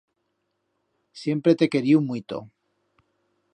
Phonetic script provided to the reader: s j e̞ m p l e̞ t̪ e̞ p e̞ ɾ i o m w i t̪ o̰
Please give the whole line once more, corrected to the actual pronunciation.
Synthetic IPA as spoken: s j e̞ m p ɾ e̞ t̪ e̞ k e̞ ɾ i u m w i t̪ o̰